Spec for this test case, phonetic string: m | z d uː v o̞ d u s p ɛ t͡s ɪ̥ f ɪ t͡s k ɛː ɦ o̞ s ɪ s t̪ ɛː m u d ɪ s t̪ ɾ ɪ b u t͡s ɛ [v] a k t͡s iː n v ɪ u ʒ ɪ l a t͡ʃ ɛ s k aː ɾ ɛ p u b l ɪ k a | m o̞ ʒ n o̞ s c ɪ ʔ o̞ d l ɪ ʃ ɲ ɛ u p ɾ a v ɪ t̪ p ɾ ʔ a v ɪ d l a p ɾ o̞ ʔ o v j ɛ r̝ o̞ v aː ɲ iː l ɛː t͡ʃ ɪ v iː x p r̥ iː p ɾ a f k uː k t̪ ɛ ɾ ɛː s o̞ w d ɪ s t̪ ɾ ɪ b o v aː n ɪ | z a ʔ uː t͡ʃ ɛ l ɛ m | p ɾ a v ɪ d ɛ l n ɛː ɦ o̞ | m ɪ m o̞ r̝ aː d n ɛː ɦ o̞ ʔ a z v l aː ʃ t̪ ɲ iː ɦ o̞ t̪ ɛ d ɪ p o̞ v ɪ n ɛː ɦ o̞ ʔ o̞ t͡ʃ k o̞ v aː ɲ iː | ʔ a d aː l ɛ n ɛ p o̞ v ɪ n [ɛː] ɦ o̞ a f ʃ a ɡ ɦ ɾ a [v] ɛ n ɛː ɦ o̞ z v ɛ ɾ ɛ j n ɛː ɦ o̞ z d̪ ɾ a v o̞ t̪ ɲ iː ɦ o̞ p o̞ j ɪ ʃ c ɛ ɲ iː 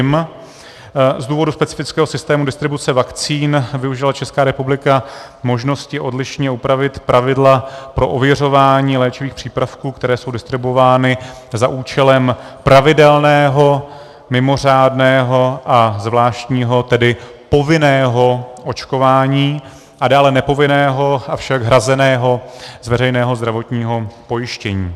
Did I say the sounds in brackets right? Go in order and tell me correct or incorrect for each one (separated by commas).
correct, correct, incorrect